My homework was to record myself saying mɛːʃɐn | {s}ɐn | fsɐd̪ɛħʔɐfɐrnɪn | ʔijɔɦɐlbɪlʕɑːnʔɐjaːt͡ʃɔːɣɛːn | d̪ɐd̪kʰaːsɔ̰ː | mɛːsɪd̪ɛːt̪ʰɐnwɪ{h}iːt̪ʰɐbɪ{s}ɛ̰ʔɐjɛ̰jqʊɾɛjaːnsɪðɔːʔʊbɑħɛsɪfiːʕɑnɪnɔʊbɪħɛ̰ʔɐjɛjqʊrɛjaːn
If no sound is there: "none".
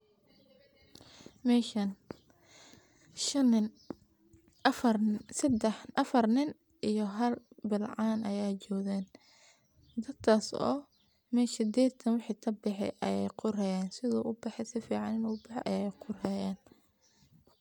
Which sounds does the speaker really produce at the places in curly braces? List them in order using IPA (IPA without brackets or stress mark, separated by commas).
ʃ, ħ, ħ